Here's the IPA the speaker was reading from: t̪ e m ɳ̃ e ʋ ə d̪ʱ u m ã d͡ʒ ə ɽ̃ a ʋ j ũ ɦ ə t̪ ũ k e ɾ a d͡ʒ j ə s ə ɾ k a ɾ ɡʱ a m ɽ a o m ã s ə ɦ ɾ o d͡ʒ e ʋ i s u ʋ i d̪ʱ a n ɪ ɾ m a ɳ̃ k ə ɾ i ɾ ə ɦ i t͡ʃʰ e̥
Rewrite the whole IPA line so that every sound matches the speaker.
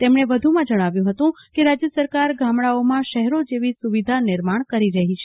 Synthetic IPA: t̪ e m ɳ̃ e ʋ ə d̪ʱ u m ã d͡ʒ ə ɽ̃ a ʋ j ũ ɦ ə t̪ ũ k e ɾ a d͡ʒ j ə s ə ɾ k a ɾ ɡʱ a m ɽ a o m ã ʃ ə ɦ ɾ o d͡ʒ e ʋ i s u ʋ i d̪ʱ a n ɪ ɾ m a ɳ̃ k ə ɾ i ɾ ə ɦ i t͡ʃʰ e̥